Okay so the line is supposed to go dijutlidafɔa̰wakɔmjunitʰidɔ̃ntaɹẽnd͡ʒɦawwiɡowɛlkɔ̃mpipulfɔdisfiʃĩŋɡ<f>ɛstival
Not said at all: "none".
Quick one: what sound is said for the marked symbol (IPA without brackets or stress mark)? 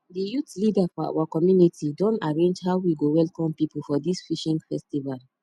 f